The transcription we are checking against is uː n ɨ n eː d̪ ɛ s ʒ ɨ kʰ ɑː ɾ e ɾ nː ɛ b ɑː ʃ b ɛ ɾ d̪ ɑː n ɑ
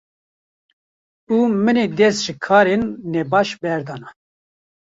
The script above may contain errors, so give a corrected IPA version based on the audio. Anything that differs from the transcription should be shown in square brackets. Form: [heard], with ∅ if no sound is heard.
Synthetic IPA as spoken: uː [m] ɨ n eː d̪ ɛ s ʒ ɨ kʰ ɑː ɾ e [∅] nː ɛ b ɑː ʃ b ɛ ɾ d̪ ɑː n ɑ